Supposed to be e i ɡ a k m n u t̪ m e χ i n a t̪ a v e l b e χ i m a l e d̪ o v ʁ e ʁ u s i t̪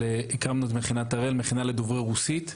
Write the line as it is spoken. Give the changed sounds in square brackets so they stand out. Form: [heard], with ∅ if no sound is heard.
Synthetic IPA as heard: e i [k] a [∅] m n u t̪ m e χ i n a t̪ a [ʁ] e l [m] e χ i [n] a l e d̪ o v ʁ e ʁ u s i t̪